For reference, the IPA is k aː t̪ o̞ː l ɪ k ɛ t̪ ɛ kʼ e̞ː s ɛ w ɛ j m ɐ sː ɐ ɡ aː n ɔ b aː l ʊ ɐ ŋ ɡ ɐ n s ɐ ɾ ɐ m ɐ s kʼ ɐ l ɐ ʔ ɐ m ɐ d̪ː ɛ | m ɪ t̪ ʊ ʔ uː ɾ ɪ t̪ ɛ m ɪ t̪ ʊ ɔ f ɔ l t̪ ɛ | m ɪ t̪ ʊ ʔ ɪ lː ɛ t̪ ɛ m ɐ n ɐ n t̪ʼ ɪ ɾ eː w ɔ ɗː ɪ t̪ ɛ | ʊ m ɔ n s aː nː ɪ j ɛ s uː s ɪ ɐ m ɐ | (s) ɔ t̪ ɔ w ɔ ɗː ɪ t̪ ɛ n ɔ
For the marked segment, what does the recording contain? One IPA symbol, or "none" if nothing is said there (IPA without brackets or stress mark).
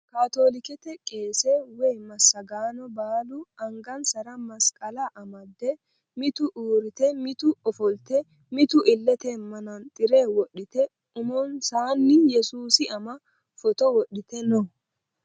f